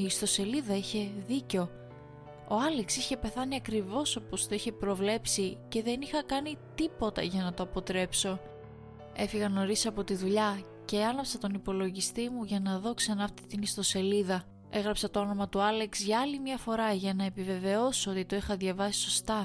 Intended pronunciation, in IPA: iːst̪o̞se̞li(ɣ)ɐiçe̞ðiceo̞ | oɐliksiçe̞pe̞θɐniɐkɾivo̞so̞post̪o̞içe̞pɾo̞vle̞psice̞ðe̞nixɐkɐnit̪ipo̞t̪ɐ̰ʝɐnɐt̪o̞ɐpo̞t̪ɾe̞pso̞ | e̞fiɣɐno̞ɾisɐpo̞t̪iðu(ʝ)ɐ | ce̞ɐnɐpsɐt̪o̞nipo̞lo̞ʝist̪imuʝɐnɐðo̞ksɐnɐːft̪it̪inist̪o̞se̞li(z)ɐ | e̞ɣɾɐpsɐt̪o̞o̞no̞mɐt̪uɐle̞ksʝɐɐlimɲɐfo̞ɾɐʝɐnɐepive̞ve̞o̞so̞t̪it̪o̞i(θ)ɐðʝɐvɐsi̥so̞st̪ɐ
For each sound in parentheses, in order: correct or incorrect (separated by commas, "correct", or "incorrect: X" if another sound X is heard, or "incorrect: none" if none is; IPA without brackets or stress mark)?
incorrect: ð, incorrect: ʎ, incorrect: ð, incorrect: x